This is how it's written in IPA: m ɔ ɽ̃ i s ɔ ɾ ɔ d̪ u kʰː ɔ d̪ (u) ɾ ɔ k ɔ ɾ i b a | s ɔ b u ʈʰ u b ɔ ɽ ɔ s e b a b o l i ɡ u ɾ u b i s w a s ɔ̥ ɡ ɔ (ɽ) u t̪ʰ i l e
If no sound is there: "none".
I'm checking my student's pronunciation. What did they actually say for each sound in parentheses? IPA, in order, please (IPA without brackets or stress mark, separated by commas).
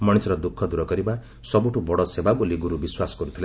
u, ɾ